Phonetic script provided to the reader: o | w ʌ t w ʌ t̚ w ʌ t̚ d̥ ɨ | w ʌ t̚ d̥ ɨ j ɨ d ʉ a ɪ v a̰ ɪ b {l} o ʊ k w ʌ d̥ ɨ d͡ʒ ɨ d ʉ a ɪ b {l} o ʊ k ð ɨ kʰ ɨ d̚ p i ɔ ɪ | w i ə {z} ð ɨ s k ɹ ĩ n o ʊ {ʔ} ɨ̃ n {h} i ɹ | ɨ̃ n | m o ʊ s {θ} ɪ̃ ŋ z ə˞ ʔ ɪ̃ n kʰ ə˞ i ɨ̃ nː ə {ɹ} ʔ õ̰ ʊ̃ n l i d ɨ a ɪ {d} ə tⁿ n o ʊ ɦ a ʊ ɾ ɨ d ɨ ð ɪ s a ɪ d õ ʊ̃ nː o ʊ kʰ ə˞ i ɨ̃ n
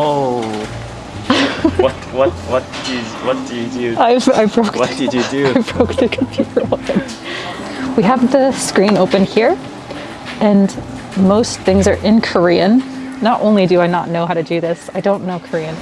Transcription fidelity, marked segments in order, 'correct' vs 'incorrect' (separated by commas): incorrect, incorrect, incorrect, incorrect, correct, correct, incorrect, incorrect